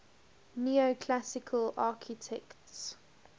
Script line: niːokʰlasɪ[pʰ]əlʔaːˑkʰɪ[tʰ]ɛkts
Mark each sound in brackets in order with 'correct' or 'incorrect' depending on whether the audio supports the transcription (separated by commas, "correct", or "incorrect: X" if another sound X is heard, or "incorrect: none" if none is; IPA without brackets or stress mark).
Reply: incorrect: kʰ, correct